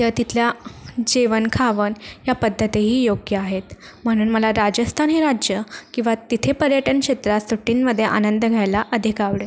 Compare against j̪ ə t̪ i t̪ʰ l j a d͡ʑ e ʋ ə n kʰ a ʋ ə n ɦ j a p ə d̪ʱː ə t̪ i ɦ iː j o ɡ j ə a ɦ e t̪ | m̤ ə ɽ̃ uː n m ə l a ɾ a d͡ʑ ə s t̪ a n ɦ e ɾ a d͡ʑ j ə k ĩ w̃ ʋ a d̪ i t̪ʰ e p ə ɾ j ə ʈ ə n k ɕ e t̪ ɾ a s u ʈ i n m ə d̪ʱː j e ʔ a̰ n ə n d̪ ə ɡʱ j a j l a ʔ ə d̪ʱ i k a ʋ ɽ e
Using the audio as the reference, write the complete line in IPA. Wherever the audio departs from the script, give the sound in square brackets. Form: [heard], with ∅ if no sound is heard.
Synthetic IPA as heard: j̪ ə t̪ i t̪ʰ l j a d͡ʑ e ʋ ə n kʰ a ʋ ə n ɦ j a p ə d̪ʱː ə t̪ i ɦ iː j o ɡ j ə a ɦ e t̪ | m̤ ə ɽ̃ uː n m ə l a ɾ a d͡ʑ ə s [t̪ʰ] a n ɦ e ɾ a d͡ʑ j ə k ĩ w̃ ʋ a [t̪] i t̪ʰ e p ə ɾ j ə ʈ ə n k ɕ e t̪ ɾ a s u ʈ i n m ə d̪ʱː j e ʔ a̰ n ə n d̪ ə ɡʱ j a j l a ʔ ə d̪ʱ i k a ʋ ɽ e

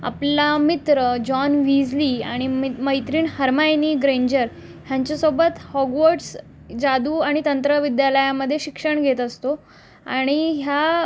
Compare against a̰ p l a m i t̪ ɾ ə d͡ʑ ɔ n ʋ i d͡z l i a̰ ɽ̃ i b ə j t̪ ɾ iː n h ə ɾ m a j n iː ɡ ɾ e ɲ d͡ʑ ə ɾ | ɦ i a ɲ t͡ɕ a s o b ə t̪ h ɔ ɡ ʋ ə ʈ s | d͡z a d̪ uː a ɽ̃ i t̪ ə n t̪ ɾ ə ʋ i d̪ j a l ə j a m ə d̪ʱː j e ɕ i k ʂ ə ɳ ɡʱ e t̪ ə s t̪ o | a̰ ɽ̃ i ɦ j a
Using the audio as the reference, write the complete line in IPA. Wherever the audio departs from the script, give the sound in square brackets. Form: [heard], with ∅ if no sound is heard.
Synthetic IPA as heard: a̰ p l a m i t̪ ɾ ə d͡ʑ ɔ n ʋ i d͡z l i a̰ ɽ̃ i [m] ə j t̪ ɾ iː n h ə ɾ m a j n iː ɡ ɾ e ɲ d͡ʑ ə ɾ | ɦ [j] a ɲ t͡ɕ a s o b ə t̪ h ɔ ɡ ʋ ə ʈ s | d͡z a d̪ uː a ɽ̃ i t̪ ə n t̪ ɾ ə ʋ i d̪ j a l ə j a m ə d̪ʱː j e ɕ i k ʂ ə ɳ ɡʱ e t̪ ə s t̪ o | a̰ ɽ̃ i ɦ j a

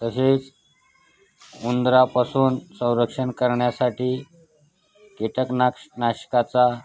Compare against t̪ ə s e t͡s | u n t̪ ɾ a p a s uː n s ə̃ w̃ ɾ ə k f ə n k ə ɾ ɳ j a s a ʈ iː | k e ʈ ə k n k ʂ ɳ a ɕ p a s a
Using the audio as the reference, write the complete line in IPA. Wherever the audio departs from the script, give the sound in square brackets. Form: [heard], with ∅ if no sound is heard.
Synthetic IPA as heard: t̪ ə s e t͡s | u n [d̪] ɾ a p a s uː n s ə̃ w̃ ɾ ə k [ʂ] ə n k ə ɾ ɳ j a s a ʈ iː | k e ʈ ə k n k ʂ [n] a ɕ [k] a [t͡s] a

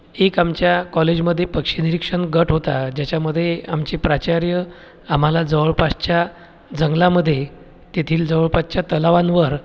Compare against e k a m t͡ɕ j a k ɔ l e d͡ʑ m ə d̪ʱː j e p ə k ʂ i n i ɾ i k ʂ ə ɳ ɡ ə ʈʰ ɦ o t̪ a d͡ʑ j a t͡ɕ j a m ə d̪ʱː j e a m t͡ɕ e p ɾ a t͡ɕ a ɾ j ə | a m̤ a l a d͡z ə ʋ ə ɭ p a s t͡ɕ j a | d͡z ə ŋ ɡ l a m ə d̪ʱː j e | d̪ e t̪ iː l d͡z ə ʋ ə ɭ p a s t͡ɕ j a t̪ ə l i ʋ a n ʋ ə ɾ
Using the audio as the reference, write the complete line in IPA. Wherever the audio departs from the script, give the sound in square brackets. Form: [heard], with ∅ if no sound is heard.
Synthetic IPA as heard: e k a m t͡ɕ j a k ɔ l e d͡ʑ m ə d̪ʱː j e p ə k ʂ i n i ɾ i k ʂ ə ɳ ɡ ə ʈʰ ɦ o t̪ a d͡ʑ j a t͡ɕ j a m ə d̪ʱː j e a m t͡ɕ e p ɾ a t͡ɕ a ɾ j ə | a m̤ a l a d͡z ə ʋ ə ɭ p a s t͡ɕ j a | d͡z ə ŋ ɡ l a m ə d̪ʱː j e | [t̪] e [t̪ʰ] iː l d͡z ə ʋ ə ɭ p a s t͡ɕ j a t̪ ə l [a] ʋ a n ʋ ə ɾ

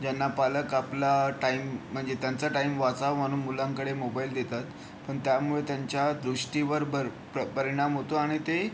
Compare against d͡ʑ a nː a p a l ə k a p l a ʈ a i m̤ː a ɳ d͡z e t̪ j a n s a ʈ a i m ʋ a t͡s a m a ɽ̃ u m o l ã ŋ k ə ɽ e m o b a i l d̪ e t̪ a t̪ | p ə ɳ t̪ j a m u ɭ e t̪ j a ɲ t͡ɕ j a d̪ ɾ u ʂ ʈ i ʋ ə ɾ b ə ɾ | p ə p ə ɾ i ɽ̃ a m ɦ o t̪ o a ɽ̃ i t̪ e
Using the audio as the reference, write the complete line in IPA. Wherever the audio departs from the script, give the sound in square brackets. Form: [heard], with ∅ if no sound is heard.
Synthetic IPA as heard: d͡ʑ a nː a p a l ə k a p l a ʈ a i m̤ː [ə] ɳ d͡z e t̪ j a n [t͡s] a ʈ a i m ʋ a t͡s a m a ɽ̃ u m [u] l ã ŋ k ə ɽ e m o b a i l d̪ e t̪ a t̪ | p ə ɳ t̪ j a m u ɭ e t̪ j a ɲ t͡ɕ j a d̪ ɾ u ʂ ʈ i ʋ ə ɾ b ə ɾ | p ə p ə ɾ i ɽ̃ a m ɦ o t̪ o a ɽ̃ i t̪ e

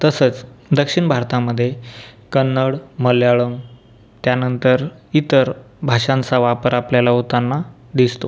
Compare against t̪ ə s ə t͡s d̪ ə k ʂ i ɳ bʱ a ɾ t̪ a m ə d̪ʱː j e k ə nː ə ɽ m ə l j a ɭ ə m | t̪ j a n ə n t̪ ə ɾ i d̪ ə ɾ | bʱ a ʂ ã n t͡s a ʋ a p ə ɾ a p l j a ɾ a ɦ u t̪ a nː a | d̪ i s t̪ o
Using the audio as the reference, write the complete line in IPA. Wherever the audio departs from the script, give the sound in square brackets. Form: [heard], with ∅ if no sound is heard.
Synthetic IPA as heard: t̪ ə s ə t͡s d̪ ə k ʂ i ɳ bʱ a ɾ t̪ a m ə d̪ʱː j e k ə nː ə ɽ m ə l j a ɭ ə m | t̪ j a n ə n t̪ ə ɾ i [t̪] ə ɾ | bʱ a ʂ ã n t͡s a ʋ a p ə ɾ a p l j a [l] a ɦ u t̪ a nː a | d̪ i s t̪ o

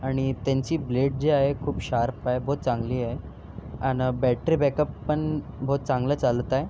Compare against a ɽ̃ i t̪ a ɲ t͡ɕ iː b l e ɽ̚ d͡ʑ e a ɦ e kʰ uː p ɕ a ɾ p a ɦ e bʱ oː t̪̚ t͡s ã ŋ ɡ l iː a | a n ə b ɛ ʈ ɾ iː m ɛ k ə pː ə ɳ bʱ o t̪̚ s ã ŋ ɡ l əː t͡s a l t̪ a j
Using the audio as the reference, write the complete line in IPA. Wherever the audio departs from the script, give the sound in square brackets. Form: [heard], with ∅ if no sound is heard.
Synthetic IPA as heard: a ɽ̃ i t̪ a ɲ t͡ɕ iː b l e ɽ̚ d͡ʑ e a ɦ e kʰ uː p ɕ a ɾ p a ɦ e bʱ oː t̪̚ t͡s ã ŋ ɡ l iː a | a n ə b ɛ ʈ ɾ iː [b] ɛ k ə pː ə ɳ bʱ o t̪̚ [t͡s] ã ŋ ɡ l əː t͡s a l t̪ a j

